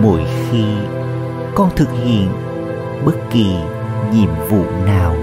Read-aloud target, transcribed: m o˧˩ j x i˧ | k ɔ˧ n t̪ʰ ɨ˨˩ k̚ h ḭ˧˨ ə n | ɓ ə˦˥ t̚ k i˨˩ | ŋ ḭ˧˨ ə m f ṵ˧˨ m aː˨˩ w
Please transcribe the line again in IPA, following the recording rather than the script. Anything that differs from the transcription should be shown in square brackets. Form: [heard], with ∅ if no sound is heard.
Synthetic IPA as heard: m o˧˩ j x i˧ | k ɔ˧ n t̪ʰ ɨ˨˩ k̚ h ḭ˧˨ ə n | ɓ ə˦˥ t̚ k i˨˩ | [ɲ] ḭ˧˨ ə m [v] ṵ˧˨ [n] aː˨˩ w